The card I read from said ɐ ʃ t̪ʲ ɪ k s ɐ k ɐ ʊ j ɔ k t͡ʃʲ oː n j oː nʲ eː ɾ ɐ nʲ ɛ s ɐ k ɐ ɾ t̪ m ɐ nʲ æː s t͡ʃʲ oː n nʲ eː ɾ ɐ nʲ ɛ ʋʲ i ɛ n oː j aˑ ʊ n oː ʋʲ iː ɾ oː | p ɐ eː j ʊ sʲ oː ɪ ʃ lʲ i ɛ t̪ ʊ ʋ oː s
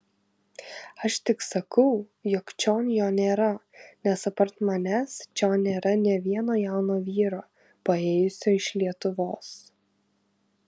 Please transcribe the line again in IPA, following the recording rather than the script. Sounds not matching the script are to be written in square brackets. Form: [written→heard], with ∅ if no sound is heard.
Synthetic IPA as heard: ɐ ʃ t̪ʲ ɪ k s ɐ k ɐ ʊ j ɔ k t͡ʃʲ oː n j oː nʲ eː ɾ ɐ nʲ ɛ s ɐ [k→p] ɐ ɾ t̪ m ɐ nʲ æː s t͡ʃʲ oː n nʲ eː ɾ ɐ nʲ ɛ ʋʲ i ɛ n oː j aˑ ʊ n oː ʋʲ iː ɾ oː | p ɐ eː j ʊ sʲ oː ɪ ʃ lʲ i ɛ t̪ ʊ ʋ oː s